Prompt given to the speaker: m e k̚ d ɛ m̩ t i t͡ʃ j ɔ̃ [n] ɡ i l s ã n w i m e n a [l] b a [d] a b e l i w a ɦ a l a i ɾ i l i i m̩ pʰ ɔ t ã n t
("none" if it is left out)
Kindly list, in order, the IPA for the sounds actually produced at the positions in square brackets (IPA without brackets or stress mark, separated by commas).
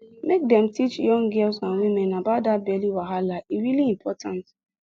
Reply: ŋ, none, d